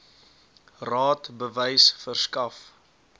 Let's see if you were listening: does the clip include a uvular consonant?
no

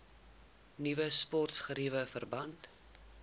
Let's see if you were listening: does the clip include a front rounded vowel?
no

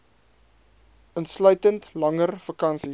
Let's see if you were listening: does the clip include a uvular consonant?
no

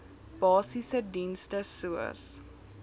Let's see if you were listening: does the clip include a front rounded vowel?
no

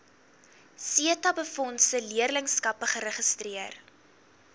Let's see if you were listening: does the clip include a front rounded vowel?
no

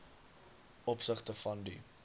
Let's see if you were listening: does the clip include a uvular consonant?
yes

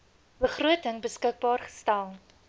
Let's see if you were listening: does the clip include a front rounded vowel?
no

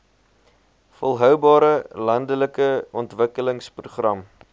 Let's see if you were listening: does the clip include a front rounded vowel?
yes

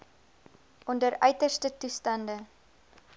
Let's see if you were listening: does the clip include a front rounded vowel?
yes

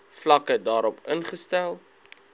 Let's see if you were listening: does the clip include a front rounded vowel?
no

